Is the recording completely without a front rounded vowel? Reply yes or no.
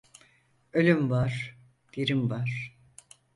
no